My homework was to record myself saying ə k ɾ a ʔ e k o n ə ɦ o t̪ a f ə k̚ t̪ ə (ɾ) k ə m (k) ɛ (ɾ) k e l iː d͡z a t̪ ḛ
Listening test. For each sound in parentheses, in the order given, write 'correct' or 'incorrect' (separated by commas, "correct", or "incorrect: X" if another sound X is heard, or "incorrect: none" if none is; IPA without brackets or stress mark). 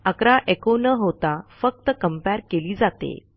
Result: incorrect: none, incorrect: p, correct